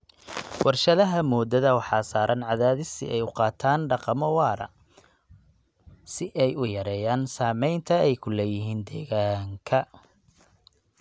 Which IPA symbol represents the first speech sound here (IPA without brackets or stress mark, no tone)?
w